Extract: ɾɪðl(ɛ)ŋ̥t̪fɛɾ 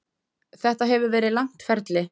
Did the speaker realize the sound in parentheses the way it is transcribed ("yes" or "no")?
no